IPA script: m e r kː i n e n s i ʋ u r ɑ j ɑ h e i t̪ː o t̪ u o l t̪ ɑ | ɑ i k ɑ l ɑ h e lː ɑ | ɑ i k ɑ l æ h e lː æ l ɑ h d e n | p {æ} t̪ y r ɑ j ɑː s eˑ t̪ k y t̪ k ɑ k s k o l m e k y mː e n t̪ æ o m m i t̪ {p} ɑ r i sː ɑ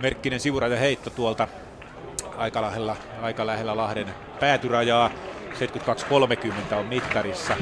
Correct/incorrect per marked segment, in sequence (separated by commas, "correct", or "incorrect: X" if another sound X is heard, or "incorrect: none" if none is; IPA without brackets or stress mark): incorrect: æː, incorrect: k